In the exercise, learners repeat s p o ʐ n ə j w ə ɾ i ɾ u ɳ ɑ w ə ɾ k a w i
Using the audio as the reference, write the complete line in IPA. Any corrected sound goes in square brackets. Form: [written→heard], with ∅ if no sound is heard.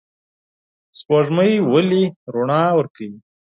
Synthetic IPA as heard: s p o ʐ [n→m] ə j w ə [ɾ→l] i ɾ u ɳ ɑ w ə ɾ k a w i